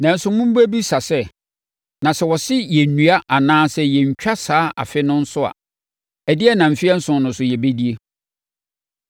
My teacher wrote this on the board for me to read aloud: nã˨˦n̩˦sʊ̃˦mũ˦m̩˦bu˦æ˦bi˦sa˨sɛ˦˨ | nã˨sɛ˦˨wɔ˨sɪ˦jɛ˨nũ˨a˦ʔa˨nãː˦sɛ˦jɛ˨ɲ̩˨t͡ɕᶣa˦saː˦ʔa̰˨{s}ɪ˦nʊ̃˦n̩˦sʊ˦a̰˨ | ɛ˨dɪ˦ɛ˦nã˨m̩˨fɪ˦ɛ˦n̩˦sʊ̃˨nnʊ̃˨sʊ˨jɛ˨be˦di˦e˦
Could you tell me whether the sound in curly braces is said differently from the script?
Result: yes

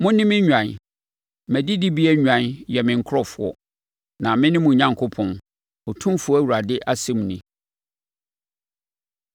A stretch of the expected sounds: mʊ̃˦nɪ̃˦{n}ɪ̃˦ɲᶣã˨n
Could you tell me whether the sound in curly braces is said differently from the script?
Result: yes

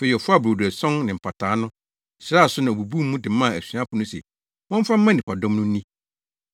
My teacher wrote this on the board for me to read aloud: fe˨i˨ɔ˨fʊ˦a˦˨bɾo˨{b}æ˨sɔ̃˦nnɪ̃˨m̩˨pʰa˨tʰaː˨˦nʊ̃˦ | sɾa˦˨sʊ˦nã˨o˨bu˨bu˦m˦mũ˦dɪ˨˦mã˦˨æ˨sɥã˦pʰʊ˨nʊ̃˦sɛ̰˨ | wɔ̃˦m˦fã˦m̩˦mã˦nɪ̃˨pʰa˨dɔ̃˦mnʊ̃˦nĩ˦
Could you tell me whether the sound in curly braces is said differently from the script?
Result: yes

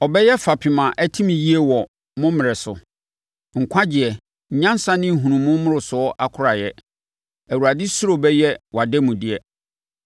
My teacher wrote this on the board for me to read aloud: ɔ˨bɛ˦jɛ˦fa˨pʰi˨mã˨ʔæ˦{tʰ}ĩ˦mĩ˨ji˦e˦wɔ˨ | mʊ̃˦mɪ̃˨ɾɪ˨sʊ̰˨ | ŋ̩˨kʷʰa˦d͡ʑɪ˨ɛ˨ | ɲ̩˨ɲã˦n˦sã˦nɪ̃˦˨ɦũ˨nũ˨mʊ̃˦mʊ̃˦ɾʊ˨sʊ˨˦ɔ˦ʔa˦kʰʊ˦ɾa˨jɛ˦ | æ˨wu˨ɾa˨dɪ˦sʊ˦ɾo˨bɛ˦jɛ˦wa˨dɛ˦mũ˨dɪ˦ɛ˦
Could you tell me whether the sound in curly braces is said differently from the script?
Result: no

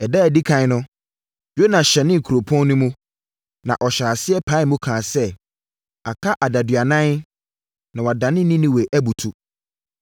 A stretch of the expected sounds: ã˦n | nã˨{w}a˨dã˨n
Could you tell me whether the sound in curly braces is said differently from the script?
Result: no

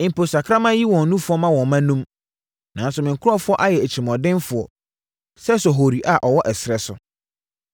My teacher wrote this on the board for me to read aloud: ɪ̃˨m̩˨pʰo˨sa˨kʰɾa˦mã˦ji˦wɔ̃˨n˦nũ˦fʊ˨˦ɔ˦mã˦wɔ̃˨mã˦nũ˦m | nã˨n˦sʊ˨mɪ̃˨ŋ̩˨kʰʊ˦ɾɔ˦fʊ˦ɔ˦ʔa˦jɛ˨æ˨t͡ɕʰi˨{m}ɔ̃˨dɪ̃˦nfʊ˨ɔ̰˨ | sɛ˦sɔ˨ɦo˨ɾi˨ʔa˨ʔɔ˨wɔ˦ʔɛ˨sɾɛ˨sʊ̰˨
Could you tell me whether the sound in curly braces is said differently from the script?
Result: no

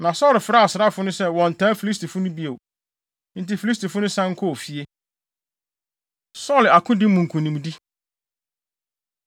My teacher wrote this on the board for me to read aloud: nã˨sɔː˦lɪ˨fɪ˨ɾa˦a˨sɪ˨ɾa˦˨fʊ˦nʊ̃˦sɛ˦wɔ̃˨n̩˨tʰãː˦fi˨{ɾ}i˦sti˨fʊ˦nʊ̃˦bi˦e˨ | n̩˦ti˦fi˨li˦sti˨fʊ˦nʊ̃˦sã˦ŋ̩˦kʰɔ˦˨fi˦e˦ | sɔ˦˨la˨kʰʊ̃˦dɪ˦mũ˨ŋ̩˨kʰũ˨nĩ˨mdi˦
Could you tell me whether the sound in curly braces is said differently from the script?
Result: yes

